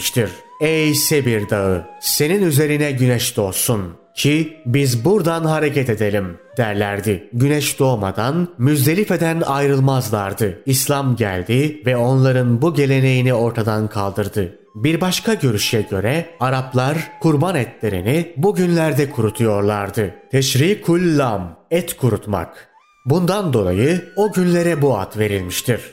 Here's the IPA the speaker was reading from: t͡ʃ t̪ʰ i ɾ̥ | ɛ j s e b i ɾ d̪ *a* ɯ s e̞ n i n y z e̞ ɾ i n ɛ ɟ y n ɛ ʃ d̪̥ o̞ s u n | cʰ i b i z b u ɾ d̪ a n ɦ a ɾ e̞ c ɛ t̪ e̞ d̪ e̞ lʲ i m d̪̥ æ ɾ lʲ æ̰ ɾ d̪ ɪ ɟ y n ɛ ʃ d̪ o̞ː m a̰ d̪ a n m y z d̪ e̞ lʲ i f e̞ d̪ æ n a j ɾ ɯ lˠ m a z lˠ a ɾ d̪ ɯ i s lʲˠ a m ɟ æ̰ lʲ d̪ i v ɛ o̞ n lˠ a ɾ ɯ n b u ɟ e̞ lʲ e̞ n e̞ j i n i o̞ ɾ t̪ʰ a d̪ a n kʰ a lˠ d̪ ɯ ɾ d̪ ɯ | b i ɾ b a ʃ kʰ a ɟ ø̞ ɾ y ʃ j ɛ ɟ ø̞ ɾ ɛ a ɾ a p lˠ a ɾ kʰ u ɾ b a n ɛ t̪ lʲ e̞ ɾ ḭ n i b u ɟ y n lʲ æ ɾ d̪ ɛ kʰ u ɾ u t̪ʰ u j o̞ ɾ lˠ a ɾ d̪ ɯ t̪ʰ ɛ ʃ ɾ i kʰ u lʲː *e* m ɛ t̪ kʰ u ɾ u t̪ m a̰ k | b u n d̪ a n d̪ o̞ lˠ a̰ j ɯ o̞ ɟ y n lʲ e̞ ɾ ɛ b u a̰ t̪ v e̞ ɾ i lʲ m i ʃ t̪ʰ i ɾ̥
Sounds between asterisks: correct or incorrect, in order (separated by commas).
correct, incorrect